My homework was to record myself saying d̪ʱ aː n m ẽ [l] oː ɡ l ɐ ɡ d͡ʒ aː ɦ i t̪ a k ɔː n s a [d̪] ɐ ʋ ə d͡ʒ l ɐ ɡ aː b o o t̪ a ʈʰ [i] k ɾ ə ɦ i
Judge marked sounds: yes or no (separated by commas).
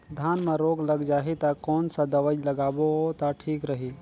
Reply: no, yes, no